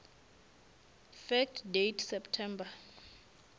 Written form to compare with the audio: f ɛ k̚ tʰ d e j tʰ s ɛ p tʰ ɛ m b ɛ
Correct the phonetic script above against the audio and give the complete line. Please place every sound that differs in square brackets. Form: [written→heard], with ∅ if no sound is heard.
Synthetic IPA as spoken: f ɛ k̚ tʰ d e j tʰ s ɛ p tʰ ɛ m b [ɛ→a]